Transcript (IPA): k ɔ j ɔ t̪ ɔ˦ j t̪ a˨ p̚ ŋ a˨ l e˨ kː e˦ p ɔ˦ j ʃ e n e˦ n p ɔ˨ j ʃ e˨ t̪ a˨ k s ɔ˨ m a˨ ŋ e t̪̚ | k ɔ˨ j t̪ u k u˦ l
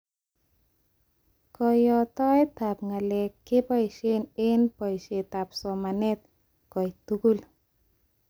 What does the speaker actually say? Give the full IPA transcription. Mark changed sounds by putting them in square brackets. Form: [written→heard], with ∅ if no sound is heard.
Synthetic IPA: k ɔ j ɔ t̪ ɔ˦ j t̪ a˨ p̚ ŋ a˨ l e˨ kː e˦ p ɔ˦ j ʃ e n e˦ n p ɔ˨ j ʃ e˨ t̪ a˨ [k→p] s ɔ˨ m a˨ [ŋ→n] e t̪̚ | k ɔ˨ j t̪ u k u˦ l

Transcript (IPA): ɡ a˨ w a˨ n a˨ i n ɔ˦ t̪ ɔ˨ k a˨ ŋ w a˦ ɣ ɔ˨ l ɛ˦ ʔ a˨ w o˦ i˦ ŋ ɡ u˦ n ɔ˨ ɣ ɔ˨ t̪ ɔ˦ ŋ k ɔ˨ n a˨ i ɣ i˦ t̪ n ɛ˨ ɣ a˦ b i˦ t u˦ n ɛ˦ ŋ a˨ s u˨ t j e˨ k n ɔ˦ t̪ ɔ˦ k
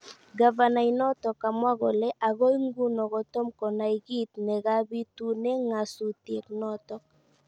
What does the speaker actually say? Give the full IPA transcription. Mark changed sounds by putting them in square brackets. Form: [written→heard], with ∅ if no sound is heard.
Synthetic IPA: ɡ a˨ [w→v] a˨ n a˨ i n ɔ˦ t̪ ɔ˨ k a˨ [ŋ→m] w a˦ ɣ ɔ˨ l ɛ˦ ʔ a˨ [w→ɣ] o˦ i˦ ŋ ɡ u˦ n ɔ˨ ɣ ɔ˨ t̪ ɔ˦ [ŋ→m] k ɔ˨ n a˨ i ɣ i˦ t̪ n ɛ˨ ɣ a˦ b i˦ t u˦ n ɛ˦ ŋ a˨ s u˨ t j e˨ k n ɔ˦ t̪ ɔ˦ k

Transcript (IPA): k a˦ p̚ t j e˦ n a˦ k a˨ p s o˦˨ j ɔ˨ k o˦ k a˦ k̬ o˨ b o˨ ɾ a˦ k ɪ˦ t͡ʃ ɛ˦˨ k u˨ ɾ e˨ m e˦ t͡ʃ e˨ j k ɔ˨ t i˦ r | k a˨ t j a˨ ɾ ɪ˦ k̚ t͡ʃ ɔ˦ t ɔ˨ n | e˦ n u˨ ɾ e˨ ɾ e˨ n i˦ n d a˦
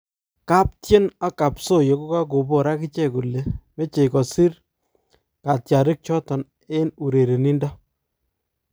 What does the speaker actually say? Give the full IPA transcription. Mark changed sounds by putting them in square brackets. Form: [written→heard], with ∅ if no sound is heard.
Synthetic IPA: k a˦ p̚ t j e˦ n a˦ k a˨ p s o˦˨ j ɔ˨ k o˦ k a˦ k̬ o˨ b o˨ ɾ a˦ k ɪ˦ t͡ʃ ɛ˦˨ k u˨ [ɾ→l] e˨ m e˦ t͡ʃ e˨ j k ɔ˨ [t→s] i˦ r | k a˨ t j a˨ ɾ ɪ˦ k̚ t͡ʃ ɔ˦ t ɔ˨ n | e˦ n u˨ ɾ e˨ ɾ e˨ n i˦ n d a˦

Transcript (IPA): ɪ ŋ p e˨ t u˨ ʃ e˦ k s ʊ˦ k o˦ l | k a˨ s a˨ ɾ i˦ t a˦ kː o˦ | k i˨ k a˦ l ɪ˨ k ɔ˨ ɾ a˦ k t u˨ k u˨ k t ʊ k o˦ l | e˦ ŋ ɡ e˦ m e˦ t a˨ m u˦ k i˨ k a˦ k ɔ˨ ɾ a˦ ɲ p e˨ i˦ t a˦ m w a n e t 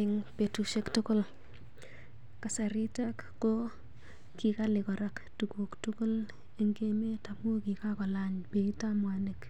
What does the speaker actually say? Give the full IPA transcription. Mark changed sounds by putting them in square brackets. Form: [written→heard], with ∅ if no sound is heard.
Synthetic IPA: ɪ ŋ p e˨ t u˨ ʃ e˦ k [s→t] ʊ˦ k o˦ l | k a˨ s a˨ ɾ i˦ t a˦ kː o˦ | k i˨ k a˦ l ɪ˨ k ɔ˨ ɾ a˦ k t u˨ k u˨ k t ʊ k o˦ l | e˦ ŋ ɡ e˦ m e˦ t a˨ m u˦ k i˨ k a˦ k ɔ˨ [ɾ→l] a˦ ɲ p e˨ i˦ t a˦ m w a n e [t→k]

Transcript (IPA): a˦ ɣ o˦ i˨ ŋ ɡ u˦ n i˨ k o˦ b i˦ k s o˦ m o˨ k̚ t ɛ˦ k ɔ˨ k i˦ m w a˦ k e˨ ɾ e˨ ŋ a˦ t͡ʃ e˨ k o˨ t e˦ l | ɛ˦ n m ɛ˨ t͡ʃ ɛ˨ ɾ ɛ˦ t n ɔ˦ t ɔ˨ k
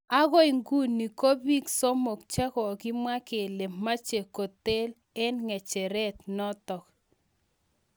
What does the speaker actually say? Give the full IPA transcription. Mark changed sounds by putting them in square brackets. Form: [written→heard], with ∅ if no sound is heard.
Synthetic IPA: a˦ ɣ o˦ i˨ ŋ ɡ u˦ n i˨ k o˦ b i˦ k s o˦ m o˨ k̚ [t→t͡ʃ] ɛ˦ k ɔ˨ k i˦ m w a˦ k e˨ [ɾ→l] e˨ [ŋ→m] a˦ t͡ʃ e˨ k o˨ t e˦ l | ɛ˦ n [m→ŋ] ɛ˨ t͡ʃ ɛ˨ ɾ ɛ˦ t n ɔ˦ t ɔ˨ k

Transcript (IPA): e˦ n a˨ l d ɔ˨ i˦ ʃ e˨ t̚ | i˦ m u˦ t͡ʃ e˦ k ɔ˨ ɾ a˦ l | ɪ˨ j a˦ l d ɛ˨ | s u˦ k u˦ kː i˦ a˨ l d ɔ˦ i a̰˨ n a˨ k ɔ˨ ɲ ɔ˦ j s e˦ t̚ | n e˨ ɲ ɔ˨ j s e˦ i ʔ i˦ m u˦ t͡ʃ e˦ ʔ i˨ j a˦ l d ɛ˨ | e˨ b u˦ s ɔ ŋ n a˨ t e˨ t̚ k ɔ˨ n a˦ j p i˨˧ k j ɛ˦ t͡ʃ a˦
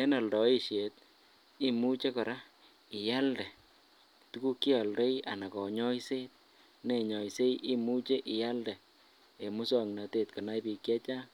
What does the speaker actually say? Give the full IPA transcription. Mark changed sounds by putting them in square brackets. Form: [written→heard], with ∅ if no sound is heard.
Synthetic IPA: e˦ n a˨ l d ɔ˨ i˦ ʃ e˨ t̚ | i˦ m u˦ t͡ʃ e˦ k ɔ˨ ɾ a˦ [l→∅] | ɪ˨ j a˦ l d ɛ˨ | [s→t] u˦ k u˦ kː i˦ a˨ l d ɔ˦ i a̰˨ n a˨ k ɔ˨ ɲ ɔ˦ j s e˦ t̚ | n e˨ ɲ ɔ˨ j s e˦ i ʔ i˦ m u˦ t͡ʃ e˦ ʔ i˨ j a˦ l d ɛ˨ | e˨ [b→m] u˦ s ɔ ŋ n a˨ t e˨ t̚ k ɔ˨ n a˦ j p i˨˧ k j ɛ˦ t͡ʃ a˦

